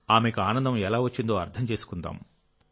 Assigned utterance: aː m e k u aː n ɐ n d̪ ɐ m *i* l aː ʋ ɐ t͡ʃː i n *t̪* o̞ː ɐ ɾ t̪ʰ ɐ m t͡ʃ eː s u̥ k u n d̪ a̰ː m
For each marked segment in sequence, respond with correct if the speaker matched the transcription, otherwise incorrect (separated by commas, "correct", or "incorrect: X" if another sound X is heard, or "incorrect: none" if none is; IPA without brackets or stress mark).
incorrect: ɛ, incorrect: d̪